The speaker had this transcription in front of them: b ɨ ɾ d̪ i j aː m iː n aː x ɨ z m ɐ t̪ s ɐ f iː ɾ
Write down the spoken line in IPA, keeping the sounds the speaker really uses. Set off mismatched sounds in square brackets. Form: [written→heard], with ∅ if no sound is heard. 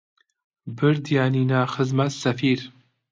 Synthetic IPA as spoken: b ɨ ɾ d̪ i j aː [m→n] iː n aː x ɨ z m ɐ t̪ s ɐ f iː ɾ